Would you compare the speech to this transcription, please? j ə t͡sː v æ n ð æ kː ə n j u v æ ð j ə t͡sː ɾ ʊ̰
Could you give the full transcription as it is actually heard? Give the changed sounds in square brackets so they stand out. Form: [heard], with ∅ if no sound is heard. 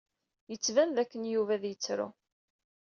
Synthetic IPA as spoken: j ə t͡sː v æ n ð æ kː ə n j u v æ ð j ə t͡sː ɾ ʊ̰